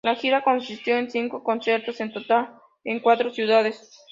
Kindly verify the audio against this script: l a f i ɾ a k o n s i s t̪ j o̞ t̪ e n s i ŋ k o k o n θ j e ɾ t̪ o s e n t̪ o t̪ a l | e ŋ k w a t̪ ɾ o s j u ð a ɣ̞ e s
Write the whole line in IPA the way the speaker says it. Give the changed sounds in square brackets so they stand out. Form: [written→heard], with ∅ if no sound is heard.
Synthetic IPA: l a [f→x] i ɾ a k o n s i s t̪ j o̞ [t̪→∅] e n s i ŋ k o k o n [θ→s] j e ɾ t̪ o s e n t̪ o t̪ a l | e ŋ k w a t̪ ɾ o s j u ð a [ɣ̞→ð̞] e s